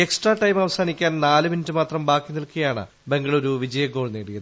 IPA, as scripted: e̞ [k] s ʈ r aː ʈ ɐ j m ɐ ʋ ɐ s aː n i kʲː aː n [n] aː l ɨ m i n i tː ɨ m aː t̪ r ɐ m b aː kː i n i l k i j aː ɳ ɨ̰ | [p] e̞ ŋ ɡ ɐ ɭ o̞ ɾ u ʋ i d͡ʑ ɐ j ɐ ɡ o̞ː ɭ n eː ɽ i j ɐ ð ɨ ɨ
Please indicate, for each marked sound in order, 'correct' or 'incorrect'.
correct, correct, incorrect

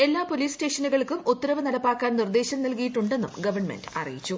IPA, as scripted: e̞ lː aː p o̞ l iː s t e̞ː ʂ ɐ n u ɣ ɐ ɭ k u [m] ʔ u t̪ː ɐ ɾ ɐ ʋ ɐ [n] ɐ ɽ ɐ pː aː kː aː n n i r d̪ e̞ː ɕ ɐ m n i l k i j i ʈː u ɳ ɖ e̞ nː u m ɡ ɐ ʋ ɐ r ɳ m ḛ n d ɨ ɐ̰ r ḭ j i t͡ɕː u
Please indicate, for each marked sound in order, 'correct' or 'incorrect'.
correct, correct

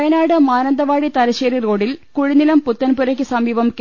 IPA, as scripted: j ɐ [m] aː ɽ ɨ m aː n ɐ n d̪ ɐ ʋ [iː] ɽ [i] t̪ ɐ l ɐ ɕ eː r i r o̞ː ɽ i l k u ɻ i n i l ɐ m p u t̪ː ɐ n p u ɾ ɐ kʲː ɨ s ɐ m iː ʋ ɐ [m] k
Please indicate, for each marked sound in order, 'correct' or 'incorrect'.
incorrect, incorrect, correct, correct

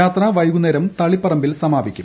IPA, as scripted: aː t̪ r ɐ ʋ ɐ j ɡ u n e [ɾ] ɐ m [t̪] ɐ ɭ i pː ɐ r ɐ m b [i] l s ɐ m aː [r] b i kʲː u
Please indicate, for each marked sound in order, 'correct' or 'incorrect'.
correct, correct, correct, incorrect

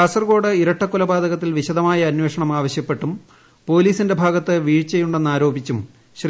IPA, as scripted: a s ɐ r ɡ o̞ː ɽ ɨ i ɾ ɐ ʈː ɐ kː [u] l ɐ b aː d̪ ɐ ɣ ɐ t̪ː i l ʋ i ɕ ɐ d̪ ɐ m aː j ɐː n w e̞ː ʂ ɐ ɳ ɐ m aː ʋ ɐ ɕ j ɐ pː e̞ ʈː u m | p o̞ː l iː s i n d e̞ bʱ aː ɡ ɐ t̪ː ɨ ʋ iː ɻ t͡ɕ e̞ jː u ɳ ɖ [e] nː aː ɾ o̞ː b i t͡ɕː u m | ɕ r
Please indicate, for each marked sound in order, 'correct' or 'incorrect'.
correct, correct

